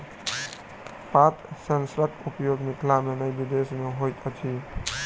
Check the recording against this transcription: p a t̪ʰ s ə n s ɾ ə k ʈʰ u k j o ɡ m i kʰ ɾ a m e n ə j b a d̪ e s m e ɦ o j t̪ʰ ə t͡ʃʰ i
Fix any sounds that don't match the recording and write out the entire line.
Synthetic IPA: p a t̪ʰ s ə n s ɾ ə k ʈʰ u p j o ɡ m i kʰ l a m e n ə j b i d̪ e s m e ɦ o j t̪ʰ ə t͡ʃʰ i